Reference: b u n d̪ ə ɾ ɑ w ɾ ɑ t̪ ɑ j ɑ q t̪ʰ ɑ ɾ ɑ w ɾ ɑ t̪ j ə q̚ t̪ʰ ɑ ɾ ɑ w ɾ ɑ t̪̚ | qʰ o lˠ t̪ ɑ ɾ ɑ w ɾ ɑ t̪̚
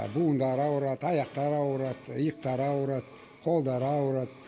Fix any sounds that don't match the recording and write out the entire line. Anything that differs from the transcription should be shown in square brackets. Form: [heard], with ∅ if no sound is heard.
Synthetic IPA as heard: b u n d̪ [ɑ] ɾ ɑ w ɾ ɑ t̪ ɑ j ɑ q [t̪] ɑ ɾ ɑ w ɾ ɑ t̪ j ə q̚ [t̪] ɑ ɾ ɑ w ɾ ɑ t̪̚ | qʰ o lˠ [d̪] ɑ ɾ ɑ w ɾ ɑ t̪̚